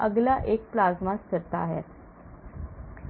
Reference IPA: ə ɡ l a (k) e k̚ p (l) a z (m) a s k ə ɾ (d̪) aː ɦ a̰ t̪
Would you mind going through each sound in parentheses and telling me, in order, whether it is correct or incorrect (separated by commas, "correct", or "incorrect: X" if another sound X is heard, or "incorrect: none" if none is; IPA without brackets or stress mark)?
incorrect: ʔ, correct, correct, incorrect: t̪